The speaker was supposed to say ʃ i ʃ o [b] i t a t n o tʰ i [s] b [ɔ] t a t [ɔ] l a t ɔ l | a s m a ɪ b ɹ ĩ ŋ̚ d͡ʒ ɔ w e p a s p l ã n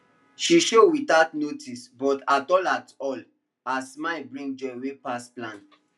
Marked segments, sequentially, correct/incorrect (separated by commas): incorrect, correct, correct, correct